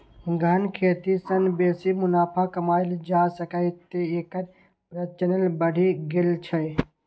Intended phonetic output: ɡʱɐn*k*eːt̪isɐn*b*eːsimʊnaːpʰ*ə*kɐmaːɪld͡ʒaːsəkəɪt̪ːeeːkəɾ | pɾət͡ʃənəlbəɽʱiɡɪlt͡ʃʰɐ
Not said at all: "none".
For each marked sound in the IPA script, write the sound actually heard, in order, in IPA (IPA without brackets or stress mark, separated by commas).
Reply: kʰ, b, a